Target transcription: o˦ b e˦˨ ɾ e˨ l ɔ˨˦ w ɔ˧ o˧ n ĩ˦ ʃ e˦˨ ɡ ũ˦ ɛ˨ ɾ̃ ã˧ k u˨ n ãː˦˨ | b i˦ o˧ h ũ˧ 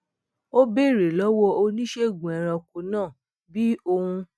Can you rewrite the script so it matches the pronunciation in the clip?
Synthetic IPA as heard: o˦ b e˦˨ ɾ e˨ l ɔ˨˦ w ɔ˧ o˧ n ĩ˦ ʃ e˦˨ ɡ ũ˨ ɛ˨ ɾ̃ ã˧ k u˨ n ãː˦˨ | b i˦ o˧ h ũ˧

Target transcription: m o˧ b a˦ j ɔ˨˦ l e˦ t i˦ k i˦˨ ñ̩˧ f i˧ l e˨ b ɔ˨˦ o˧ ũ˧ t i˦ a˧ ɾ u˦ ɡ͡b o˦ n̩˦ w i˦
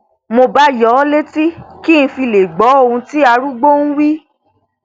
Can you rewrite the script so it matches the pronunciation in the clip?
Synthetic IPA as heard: m o˧ b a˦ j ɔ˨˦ l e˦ t i˦ k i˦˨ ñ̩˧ f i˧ l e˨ ɡ͡b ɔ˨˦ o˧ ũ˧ t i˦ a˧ ɾ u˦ ɡ͡b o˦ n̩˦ w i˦

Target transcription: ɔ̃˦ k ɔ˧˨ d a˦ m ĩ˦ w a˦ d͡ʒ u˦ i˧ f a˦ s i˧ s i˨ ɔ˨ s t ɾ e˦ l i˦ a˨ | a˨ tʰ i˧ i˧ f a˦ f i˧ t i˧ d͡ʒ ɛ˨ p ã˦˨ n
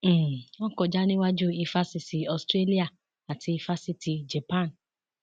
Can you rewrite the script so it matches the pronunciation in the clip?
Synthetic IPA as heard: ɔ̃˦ k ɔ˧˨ d͡ʒ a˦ n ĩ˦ w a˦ d͡ʒ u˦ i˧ f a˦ s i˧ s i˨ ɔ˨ s t ɾ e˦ l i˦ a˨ | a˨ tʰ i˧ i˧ f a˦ s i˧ t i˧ d͡ʒ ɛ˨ p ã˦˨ n

